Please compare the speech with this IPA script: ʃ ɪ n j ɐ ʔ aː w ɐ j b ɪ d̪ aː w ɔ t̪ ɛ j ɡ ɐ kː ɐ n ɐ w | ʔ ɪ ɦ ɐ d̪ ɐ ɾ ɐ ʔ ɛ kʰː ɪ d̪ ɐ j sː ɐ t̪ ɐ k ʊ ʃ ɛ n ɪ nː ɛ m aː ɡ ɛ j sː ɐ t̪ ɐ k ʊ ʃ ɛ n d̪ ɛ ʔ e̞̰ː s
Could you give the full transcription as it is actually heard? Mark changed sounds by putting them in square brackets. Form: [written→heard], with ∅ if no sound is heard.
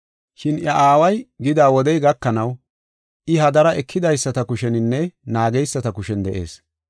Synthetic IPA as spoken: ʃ ɪ n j ɐ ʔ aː w ɐ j [b→ɡ] ɪ d̪ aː w ɔ [t̪→d̪] ɛ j ɡ ɐ kː ɐ n ɐ w | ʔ ɪ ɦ ɐ d̪ ɐ ɾ ɐ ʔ ɛ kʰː ɪ d̪ ɐ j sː ɐ t̪ ɐ k ʊ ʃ ɛ n ɪ nː ɛ [m→n] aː ɡ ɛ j sː ɐ t̪ ɐ k ʊ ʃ ɛ n d̪ ɛ ʔ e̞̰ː s

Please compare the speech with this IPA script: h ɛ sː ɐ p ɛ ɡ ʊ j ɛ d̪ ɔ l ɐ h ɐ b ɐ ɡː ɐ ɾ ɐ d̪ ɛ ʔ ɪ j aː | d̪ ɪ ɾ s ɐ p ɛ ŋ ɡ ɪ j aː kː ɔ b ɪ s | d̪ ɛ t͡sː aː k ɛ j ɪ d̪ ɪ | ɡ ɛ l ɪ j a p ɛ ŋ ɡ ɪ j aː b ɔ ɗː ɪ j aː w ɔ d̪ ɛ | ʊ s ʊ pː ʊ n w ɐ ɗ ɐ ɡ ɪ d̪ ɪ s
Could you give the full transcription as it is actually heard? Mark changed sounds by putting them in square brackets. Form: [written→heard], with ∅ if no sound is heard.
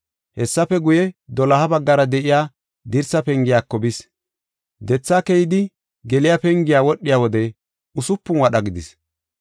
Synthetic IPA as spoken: h ɛ sː ɐ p ɛ ɡ ʊ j ɛ d̪ ɔ l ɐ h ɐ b ɐ ɡː ɐ ɾ ɐ d̪ ɛ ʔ ɪ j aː | d̪ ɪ ɾ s ɐ p ɛ ŋ ɡ ɪ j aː kː ɔ b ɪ s | d̪ ɛ t͡sː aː k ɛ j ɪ d̪ ɪ | ɡ ɛ l ɪ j a p ɛ ŋ ɡ ɪ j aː [b→w] ɔ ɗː ɪ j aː w ɔ d̪ ɛ | ʊ s ʊ pː ʊ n w ɐ ɗ ɐ ɡ ɪ d̪ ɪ s

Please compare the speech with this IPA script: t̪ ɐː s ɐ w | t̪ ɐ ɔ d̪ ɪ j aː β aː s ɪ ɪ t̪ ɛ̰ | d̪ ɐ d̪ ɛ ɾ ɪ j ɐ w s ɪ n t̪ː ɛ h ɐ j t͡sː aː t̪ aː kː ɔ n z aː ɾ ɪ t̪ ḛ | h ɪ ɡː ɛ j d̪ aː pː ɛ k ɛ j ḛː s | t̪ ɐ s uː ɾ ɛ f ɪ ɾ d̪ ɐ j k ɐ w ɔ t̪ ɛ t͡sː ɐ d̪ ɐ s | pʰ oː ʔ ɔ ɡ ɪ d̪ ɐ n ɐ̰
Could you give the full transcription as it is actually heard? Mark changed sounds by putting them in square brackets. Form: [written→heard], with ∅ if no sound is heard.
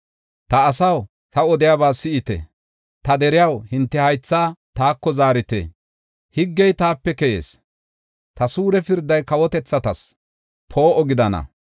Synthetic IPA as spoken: t̪ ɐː s ɐ w | t̪ ɐ ɔ d̪ ɪ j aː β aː s ɪ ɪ t̪ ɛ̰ | [d̪→t̪] ɐ d̪ ɛ ɾ ɪ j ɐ w [s→h] ɪ n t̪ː ɛ h ɐ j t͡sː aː t̪ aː kː ɔ [n→∅] z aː ɾ ɪ t̪ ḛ | h ɪ ɡː ɛ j [d̪→t̪] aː pː ɛ k ɛ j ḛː s | t̪ ɐ s uː ɾ ɛ f ɪ ɾ d̪ ɐ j k ɐ w ɔ t̪ ɛ t͡sː ɐ [d̪→t̪] ɐ s | pʰ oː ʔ ɔ ɡ ɪ d̪ ɐ n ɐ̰

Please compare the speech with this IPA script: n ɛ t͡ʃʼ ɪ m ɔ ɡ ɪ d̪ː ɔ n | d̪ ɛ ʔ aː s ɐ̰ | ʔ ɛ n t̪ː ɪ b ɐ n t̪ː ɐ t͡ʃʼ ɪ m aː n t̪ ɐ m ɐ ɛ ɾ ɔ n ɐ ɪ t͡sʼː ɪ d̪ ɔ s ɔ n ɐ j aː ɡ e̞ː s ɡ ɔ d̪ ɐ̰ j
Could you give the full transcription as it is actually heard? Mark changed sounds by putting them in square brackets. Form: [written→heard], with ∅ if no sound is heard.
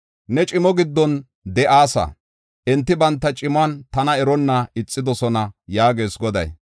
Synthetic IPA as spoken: n ɛ t͡ʃʼ ɪ m ɔ ɡ ɪ d̪ː ɔ n | d̪ ɛ ʔ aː s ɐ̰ | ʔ ɛ n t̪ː ɪ b ɐ n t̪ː ɐ t͡ʃʼ ɪ m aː n t̪ ɐ [m→n] ɐ ɛ ɾ ɔ [n→nː] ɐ ɪ t͡sʼː ɪ d̪ ɔ s ɔ n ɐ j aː ɡ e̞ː s ɡ ɔ d̪ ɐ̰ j

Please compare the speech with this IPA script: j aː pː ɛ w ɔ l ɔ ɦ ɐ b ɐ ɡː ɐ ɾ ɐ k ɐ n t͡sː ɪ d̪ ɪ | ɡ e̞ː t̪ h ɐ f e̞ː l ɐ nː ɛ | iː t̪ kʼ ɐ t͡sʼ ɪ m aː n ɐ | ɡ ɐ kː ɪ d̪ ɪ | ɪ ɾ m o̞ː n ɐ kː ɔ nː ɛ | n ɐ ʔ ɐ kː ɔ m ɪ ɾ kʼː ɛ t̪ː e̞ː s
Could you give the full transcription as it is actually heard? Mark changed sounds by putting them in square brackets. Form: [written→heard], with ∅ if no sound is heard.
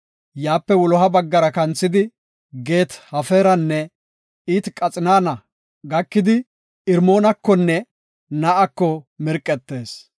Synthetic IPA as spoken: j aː pː ɛ w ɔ l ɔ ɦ ɐ b ɐ ɡː ɐ ɾ ɐ k ɐ n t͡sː ɪ d̪ ɪ | ɡ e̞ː t̪ h ɐ f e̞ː [l→ɾ] ɐ nː ɛ | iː t̪ kʼ ɐ t͡sʼ ɪ [m→n] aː n ɐ | ɡ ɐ kː ɪ d̪ ɪ | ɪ ɾ m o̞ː n ɐ kː ɔ nː ɛ | n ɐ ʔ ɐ kː ɔ m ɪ ɾ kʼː ɛ t̪ː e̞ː s

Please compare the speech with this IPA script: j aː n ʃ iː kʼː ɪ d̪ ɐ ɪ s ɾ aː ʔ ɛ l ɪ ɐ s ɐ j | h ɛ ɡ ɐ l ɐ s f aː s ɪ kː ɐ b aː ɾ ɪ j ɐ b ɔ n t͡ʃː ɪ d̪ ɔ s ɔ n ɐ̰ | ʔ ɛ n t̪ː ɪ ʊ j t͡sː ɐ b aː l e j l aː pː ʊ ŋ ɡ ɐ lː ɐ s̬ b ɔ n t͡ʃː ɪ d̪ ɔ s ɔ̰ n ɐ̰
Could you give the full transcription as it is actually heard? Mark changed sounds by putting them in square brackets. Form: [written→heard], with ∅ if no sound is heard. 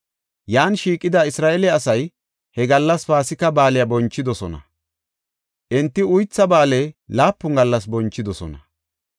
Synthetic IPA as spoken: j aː n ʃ iː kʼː ɪ d̪ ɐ ɪ s ɾ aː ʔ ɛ l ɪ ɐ s ɐ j | h ɛ ɡ ɐ [l→lː] ɐ s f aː s ɪ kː ɐ b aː [ɾ→l] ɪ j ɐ b ɔ n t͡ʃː ɪ d̪ ɔ s ɔ n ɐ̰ | ʔ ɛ n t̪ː ɪ ʊ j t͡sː ɐ b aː l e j l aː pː ʊ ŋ ɡ ɐ lː ɐ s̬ b ɔ n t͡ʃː ɪ d̪ ɔ s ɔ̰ n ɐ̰

